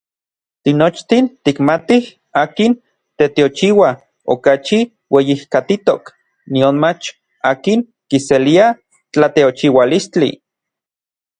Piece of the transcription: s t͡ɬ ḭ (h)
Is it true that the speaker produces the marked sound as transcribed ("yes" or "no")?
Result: no